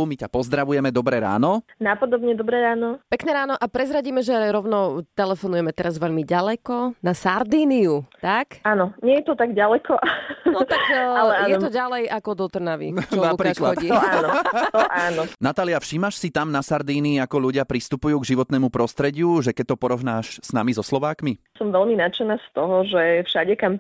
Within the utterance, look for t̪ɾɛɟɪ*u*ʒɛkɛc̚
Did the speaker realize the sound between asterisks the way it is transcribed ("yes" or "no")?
yes